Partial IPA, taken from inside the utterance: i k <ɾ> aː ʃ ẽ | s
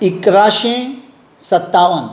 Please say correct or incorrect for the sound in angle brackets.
correct